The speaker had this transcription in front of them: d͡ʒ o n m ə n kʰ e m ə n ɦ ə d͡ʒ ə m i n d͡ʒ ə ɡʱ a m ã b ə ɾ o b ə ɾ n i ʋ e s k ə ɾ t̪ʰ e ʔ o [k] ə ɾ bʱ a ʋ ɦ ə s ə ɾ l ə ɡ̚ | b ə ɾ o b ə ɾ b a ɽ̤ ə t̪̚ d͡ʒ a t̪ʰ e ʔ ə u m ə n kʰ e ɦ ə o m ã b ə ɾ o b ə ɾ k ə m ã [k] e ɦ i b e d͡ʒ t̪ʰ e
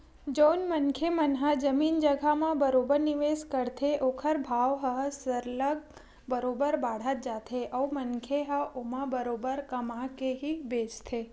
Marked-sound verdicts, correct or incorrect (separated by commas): incorrect, correct